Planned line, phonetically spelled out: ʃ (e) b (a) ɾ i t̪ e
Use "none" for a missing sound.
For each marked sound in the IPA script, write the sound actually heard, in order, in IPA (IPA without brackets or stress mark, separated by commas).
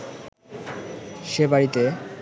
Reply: e, a